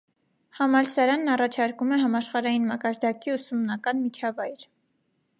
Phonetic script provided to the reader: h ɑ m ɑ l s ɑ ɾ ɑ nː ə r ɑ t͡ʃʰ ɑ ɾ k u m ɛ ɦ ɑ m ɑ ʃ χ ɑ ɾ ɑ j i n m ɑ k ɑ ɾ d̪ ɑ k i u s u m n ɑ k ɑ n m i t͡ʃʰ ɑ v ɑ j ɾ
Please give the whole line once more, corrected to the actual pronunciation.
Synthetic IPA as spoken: h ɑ m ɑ l s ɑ ɾ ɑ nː ɑ r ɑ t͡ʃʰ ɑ ɾ k u m ɛ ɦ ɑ m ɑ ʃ χ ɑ ɾ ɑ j i n m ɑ k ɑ ɾ d̪ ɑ k i u s u m n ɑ k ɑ n m i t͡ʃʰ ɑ v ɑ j ɾ